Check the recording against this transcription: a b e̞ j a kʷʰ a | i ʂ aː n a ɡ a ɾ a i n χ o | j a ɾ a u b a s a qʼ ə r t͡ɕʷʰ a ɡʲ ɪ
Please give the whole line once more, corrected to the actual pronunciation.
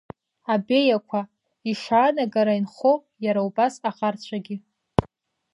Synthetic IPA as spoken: a b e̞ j a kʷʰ a | i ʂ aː n a ɡ a ɾ a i n χ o | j a ɾ a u b a s a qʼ a r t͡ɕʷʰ a ɡʲ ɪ